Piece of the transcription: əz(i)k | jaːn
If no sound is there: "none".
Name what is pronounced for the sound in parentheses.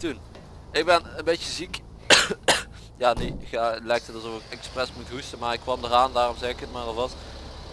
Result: i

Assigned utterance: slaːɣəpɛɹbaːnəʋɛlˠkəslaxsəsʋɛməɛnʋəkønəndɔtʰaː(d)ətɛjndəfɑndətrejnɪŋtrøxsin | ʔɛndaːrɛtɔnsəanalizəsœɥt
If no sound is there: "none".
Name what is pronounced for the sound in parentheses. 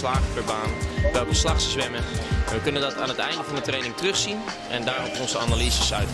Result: n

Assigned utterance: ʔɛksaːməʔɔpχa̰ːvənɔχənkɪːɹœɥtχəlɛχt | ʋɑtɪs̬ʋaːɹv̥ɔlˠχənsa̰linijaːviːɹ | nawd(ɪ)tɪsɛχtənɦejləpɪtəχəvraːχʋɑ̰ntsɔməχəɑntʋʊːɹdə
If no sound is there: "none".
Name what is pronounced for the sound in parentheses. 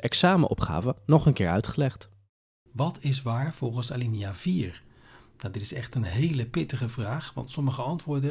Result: ɪ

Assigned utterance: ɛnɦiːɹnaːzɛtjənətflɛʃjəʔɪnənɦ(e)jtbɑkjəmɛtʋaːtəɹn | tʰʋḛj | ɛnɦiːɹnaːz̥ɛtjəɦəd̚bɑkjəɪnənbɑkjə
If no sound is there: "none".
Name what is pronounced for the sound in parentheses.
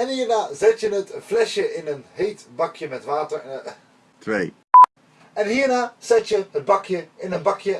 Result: e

